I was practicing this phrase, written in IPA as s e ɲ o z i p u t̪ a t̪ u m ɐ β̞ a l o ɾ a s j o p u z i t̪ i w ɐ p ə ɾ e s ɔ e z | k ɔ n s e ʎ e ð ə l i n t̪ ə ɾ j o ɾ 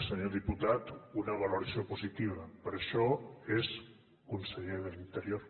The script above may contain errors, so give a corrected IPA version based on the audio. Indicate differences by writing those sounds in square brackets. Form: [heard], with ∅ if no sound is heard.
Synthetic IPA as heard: s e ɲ o [ð] i p u t̪ a t̪ u [n] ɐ β̞ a l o ɾ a s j o p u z i t̪ i [β] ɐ p ə ɾ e [ʃ] ɔ e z | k [u] n s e ʎ e ð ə l i n t̪ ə ɾ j o ɾ